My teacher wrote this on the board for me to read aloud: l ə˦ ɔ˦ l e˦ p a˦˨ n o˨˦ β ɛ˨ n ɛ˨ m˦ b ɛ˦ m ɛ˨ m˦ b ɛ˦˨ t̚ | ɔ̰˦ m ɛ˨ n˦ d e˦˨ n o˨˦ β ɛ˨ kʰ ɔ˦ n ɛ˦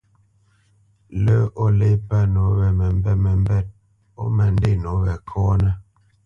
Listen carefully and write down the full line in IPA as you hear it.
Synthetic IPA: l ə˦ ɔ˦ l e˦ p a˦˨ n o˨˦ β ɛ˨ m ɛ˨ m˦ b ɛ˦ m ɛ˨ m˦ b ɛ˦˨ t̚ | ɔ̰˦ m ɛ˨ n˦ d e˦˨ n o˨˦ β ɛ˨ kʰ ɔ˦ n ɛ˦